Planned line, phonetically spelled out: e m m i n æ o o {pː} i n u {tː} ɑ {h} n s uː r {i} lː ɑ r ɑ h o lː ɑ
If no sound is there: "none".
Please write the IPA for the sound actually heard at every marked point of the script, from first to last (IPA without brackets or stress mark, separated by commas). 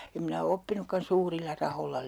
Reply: pː, kː, none, i